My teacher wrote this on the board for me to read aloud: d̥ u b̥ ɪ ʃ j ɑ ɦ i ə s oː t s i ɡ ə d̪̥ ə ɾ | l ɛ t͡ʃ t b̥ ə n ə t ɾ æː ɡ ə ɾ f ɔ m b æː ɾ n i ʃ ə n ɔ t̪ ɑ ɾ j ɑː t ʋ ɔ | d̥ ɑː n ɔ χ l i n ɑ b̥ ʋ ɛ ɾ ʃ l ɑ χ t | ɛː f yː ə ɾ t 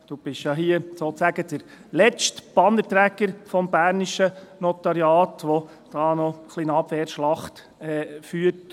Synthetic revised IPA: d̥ u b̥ ɪ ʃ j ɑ ɦ i ə s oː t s æ ɡ ə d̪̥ ə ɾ | l ɛ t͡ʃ t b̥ ɑ n ə t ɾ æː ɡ ə ɾ f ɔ m b æː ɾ n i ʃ ə n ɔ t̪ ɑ ɾ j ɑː t ʋ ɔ | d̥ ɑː n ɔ χ l i n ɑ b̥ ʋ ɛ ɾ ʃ l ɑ χ t | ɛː f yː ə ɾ t